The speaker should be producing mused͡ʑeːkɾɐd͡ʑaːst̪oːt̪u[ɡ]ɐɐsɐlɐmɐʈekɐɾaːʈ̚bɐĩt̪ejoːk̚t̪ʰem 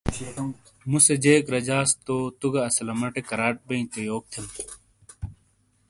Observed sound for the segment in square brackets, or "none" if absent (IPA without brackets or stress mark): ɡ